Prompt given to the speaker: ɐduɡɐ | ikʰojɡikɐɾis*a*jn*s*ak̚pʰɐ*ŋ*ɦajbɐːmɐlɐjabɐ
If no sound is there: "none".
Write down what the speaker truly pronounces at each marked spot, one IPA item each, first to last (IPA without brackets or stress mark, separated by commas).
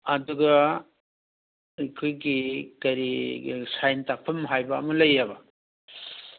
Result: a, t, m